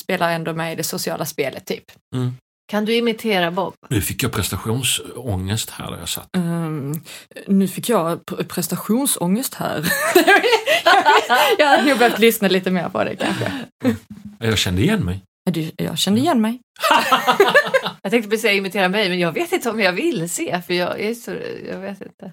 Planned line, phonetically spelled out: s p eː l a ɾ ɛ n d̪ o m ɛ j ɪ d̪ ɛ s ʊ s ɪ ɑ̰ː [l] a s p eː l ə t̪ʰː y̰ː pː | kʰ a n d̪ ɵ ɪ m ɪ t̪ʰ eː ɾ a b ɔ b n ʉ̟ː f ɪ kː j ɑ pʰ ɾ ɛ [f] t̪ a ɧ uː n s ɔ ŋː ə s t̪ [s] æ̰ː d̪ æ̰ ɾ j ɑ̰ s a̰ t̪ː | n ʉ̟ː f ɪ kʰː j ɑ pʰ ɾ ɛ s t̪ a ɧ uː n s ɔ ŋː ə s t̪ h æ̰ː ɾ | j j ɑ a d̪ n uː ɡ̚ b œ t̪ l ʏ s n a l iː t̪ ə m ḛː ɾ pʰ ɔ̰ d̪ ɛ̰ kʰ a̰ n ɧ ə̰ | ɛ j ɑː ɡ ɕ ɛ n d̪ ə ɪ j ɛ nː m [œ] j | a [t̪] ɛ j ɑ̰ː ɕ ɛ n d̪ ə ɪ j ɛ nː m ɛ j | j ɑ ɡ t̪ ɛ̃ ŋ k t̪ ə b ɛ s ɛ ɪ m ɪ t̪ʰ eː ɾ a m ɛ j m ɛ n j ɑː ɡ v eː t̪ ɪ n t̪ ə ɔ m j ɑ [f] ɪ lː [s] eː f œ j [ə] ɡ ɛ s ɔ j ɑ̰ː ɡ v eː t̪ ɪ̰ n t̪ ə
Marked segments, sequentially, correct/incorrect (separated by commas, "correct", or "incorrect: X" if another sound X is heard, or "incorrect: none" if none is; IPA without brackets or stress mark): correct, incorrect: s, incorrect: h, incorrect: ɛ, incorrect: d̪, incorrect: v, correct, incorrect: ɑ